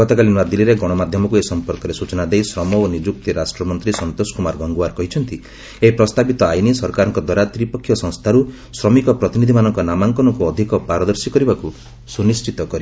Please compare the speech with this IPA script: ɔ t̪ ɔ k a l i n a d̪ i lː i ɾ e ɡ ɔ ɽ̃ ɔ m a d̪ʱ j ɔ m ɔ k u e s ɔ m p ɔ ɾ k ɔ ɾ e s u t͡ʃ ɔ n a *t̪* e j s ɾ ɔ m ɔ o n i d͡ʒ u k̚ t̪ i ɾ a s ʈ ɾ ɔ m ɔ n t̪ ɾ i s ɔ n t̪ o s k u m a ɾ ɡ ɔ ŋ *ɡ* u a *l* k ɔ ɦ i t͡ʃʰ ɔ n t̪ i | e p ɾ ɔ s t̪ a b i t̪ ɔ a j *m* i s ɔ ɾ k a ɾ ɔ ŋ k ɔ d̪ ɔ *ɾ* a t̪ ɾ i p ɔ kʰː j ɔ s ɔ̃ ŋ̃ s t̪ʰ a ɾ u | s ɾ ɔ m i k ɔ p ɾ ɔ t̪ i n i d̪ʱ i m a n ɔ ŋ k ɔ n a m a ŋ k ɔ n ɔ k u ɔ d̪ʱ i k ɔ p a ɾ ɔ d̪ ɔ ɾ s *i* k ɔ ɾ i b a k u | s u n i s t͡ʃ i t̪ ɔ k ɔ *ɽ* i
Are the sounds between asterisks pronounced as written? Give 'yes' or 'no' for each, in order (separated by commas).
no, yes, no, no, yes, yes, no